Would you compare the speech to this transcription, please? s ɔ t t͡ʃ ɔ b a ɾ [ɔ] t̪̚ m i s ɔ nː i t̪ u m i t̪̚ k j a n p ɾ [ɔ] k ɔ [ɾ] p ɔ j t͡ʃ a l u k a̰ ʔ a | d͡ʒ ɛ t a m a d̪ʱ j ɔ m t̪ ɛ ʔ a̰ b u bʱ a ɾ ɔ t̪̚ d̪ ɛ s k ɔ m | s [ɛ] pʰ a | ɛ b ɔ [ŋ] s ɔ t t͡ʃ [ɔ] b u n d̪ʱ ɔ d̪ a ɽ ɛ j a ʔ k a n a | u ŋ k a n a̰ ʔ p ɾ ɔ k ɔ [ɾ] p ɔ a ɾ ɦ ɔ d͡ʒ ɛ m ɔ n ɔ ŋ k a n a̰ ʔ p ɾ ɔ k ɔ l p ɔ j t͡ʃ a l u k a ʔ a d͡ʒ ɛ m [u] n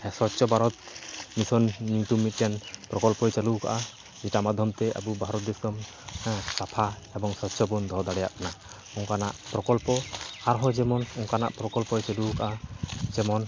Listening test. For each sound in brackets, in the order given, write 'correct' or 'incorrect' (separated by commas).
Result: correct, correct, incorrect, incorrect, correct, correct, incorrect, incorrect